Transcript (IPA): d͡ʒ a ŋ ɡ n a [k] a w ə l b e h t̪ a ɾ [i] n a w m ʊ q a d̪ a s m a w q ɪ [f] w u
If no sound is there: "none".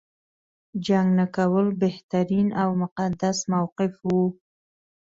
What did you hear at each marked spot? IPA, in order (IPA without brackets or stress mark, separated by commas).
k, i, f